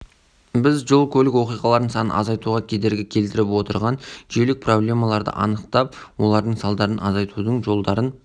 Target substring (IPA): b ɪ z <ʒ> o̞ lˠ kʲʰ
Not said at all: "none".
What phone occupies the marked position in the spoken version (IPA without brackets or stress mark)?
ʒ